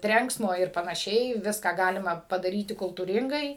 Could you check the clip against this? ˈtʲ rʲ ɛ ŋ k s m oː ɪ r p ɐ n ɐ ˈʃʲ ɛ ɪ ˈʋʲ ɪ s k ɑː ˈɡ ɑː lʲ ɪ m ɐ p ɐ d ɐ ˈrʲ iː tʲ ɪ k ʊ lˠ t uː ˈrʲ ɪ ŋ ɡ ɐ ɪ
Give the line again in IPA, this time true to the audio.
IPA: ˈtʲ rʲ ɛ ŋ k s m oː ɪ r p ɐ n ɐ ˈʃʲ ɛ ɪ ˈʋʲ ɪ s k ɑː ˈɡ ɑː lʲ ɪ m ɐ p ɐ d ɐ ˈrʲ iː tʲ ɪ k ʊ lˠ t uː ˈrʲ ɪ ŋ ɡ ɐ ɪ